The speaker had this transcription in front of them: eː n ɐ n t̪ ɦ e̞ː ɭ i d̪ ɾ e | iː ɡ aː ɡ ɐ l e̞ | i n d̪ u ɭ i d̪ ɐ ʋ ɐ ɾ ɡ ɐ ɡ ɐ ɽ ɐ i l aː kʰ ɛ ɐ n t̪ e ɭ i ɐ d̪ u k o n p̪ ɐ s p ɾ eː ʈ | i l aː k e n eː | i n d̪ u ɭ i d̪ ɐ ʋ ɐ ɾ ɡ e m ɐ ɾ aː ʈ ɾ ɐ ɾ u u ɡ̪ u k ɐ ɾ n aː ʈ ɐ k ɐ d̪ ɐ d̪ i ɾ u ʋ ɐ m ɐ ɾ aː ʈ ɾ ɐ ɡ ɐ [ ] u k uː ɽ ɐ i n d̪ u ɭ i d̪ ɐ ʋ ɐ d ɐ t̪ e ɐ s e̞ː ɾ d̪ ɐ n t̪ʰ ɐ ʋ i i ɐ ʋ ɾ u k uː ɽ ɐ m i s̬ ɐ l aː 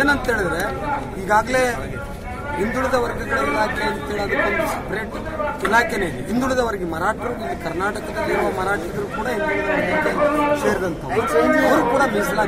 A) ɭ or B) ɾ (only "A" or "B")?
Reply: B